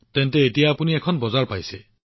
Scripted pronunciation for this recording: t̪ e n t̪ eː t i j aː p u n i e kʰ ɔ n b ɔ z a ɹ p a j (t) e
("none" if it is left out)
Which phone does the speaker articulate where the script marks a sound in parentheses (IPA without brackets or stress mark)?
s